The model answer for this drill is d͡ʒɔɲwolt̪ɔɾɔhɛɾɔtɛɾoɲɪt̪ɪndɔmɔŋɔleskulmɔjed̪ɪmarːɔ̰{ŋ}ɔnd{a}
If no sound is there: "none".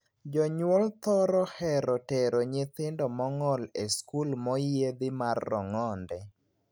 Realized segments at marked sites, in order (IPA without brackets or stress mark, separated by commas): ŋ, ɛ